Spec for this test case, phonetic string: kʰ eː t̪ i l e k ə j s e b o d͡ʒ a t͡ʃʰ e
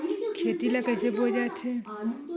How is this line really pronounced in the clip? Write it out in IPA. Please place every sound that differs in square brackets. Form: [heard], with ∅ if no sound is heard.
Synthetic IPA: kʰ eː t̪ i l [a] k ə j s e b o d͡ʒ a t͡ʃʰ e